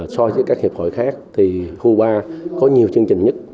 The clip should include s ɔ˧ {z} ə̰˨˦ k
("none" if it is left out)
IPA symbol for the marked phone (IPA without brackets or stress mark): z